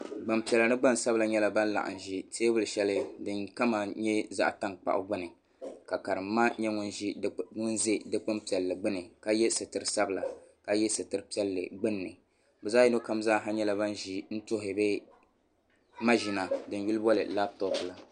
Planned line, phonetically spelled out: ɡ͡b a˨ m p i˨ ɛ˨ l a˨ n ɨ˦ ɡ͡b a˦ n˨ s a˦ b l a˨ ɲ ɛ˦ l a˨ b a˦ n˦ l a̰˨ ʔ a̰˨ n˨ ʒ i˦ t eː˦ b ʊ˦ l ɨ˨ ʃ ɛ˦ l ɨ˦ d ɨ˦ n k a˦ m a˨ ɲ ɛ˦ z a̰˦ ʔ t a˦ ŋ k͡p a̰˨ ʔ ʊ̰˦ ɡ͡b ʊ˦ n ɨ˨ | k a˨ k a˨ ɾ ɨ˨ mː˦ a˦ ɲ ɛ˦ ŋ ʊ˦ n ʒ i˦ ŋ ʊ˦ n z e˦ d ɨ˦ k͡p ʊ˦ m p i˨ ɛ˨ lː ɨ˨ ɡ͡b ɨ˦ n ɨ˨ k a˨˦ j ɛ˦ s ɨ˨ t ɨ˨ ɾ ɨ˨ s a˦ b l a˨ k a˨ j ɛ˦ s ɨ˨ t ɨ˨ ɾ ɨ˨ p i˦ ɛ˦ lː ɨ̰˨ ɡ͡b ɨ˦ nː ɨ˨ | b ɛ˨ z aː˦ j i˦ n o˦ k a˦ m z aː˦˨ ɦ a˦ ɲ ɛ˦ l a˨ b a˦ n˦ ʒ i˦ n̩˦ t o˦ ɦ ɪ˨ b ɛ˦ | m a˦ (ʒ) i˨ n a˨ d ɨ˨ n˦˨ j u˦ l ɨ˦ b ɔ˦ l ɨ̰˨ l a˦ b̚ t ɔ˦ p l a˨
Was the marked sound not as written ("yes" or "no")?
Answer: no